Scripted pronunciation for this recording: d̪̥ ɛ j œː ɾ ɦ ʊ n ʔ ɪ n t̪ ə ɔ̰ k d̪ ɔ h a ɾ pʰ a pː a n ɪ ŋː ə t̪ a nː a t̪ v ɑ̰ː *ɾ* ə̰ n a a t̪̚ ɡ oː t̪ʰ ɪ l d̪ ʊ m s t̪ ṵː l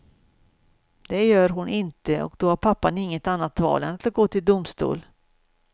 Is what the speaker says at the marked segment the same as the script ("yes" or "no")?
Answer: no